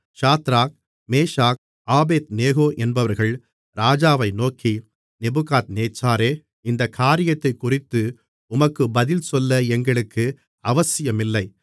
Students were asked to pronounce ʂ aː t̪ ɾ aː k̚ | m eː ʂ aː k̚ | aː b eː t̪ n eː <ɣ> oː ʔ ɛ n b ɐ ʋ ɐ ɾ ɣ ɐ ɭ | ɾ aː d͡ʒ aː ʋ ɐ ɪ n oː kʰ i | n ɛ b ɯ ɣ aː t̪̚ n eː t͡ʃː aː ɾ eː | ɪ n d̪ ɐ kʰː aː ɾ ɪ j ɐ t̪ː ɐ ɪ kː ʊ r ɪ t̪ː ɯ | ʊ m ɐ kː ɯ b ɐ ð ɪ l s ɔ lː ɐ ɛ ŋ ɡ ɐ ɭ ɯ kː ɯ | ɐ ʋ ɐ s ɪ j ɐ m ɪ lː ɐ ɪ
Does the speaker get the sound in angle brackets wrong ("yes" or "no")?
no